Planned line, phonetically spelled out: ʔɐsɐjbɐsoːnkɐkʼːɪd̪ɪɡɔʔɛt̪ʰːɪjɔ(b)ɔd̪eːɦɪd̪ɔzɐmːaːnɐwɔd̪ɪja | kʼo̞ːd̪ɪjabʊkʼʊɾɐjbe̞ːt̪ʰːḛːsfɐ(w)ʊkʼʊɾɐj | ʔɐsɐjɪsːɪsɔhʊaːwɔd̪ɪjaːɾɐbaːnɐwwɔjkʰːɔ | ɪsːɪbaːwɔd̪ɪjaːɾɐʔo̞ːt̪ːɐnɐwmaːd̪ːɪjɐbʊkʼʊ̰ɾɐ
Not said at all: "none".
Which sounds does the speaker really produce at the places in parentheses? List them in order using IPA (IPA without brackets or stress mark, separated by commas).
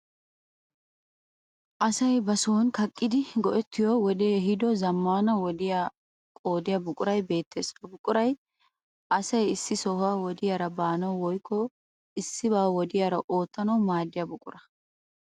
w, b